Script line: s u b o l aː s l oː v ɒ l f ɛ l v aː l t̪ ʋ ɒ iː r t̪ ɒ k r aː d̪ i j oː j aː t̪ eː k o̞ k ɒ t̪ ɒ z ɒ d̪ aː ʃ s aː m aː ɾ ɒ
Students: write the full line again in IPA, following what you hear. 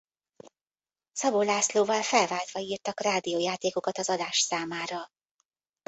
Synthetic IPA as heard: s ɒ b o l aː s l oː v ɒ l f ɛ l v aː l t̪ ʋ ɒ iː r t̪ ɒ k r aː d̪ i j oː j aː t̪ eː k o̞ k ɒ t̪ ɒ z ɒ d̪ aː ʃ s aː m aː ɾ ɒ